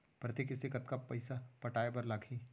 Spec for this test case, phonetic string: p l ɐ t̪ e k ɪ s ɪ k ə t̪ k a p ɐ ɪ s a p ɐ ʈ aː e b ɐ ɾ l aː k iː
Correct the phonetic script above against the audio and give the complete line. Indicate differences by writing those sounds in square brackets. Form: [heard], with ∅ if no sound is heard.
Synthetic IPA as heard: p [ɾ] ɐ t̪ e k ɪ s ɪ k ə t̪ k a p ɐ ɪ s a p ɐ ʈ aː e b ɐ ɾ l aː [kʰ] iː